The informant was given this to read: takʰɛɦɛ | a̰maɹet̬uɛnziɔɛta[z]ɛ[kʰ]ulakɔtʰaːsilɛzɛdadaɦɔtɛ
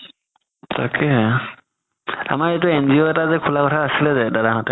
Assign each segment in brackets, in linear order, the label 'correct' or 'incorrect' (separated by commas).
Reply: correct, correct